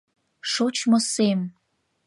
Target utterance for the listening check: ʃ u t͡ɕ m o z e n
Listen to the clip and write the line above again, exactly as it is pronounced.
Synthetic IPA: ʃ o t͡ɕ m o s e m